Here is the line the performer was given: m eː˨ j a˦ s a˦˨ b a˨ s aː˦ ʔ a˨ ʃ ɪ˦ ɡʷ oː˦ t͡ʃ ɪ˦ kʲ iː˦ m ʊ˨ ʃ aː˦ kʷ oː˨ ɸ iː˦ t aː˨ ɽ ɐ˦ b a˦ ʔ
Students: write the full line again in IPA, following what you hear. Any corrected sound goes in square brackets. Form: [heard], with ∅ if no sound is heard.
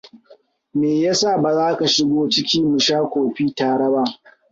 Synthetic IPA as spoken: m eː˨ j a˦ s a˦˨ b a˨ [z] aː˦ [k] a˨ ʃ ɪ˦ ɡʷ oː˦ t͡ʃ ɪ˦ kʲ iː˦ m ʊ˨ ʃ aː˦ kʷ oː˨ ɸ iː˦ t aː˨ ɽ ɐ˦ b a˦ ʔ